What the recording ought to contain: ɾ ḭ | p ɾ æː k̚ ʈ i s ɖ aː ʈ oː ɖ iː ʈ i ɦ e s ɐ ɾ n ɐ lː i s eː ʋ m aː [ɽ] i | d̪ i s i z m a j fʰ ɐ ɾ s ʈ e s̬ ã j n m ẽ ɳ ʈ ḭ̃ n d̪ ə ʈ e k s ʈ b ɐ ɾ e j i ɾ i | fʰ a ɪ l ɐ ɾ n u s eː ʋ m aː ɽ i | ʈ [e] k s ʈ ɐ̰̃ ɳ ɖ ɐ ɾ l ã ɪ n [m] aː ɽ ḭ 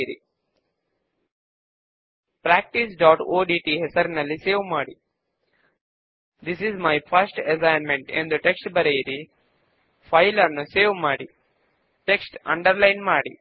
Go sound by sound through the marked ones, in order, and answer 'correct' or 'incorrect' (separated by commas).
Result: correct, correct, correct